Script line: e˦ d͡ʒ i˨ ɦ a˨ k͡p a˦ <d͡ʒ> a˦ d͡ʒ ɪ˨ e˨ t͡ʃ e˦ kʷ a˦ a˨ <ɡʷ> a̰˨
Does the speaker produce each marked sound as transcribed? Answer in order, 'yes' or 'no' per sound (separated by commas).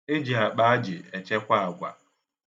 no, yes